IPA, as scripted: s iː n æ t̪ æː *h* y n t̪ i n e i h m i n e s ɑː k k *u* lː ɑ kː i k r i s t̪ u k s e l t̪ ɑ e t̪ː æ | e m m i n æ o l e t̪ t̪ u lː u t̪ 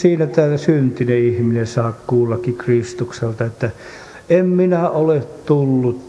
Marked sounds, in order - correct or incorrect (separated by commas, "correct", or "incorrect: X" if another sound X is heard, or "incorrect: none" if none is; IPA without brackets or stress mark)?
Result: incorrect: s, incorrect: uː